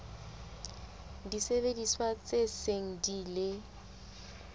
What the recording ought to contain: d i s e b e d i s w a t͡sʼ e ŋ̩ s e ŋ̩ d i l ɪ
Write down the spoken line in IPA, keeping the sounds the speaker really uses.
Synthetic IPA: d i s e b e d i s w a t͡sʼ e s e ŋ̩ d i l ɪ